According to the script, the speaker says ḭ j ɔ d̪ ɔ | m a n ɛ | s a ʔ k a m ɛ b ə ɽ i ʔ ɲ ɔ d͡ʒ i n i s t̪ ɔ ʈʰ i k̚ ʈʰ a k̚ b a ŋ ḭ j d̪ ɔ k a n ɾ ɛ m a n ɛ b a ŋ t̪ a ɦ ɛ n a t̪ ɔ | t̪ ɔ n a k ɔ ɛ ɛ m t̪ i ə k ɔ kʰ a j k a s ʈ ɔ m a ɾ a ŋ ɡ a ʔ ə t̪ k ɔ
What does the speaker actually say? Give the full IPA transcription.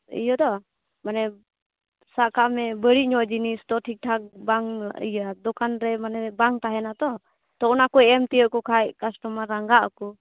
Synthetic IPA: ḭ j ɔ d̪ ɔ | m a n ɛ | s a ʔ k a m ɛ b ə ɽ i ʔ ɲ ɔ d͡ʒ i n i s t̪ ɔ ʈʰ i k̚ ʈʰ a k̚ b a ŋ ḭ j d̪ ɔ k a n ɾ ɛ m a n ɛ b a ŋ t̪ a ɦ ɛ n a t̪ ɔ | t̪ ɔ n a k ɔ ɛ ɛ m t̪ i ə k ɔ kʰ a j k a s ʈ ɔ m a ɾ a ŋ ɡ a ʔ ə k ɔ